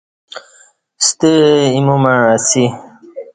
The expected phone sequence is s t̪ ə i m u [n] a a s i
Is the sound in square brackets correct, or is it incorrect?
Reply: incorrect